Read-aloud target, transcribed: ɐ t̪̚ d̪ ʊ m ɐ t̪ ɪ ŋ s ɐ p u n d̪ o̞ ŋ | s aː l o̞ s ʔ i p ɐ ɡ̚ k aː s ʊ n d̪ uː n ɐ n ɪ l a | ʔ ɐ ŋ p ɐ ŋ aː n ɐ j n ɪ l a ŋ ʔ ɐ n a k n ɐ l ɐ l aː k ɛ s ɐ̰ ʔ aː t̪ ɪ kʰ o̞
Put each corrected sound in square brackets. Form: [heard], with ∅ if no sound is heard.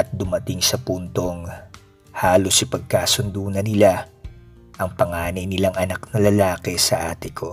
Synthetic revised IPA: ɐ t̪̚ d̪ ʊ m ɐ t̪ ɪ ŋ s ɐ p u n [t̪] o̞ ŋ | [h] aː l o̞ s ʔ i p ɐ ɡ̚ k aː s ʊ n d̪ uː n ɐ n ɪ l a | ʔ ɐ ŋ p ɐ ŋ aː n ɐ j n ɪ l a ŋ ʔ ɐ n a k n ɐ l ɐ l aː k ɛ s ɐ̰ ʔ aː t̪ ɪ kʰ o̞